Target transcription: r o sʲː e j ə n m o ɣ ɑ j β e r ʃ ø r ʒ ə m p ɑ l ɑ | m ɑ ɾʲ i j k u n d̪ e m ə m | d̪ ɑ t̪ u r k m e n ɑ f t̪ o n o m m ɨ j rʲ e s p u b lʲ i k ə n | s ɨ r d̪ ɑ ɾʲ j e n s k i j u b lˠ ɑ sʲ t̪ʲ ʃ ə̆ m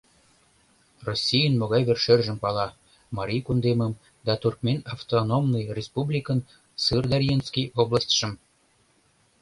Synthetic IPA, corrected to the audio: r o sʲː i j ə n m o ɣ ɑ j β e r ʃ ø r ʒ ə m p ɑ l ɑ | m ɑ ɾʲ i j k u n d̪ e m ə m | d̪ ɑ t̪ u r k m e n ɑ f t̪ o n o m n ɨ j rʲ e s p u b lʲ i k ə n | s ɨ r d̪ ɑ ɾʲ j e n s k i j o b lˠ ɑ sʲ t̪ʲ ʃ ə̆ m